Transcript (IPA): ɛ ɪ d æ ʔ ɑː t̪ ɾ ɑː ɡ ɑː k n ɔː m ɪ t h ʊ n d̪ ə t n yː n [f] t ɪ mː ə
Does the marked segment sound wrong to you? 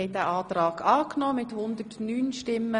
yes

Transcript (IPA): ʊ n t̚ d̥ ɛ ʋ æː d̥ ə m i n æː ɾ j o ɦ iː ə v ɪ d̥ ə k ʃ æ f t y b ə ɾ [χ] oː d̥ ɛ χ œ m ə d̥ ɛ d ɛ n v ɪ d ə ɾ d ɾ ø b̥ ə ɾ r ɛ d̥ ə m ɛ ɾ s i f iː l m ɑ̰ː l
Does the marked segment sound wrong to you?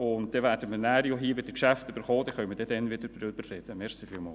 no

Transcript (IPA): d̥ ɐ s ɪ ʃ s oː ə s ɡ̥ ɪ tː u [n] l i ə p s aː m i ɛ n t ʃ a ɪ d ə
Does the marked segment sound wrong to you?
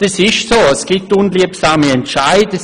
no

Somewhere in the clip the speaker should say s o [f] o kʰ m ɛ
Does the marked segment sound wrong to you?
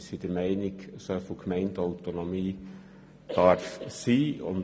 no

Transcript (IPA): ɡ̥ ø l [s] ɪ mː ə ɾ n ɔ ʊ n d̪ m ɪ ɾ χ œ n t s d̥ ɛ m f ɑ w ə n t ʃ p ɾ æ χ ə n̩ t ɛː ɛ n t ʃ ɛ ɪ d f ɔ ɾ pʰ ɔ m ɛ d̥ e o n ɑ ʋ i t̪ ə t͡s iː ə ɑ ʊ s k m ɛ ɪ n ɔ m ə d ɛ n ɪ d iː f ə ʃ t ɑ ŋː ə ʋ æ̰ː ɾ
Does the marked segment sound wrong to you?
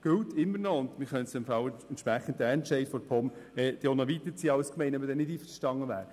yes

